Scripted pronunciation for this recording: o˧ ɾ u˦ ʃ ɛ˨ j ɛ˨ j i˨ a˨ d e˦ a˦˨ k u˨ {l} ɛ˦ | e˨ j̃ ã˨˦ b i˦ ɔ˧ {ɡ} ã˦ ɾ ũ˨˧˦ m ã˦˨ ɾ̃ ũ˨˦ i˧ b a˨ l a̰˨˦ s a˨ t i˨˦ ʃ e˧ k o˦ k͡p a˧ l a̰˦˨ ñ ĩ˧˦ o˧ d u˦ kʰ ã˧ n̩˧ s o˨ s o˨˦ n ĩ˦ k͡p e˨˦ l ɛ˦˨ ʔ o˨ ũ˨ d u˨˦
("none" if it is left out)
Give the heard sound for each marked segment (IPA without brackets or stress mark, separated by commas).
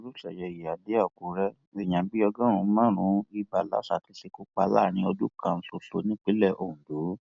ɾ, ɡ